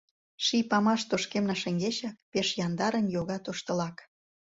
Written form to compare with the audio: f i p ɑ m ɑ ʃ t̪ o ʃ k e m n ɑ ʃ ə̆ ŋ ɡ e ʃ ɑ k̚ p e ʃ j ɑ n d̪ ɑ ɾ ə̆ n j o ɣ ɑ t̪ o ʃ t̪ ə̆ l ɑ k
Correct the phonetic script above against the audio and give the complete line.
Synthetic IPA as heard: ʃ i p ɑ m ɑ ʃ t̪ o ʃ k e m n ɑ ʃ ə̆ ŋ ɡ e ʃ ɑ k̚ p e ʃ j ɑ n d̪ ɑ ɾ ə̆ n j o ɣ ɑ t̪ o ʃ t̪ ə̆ l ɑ k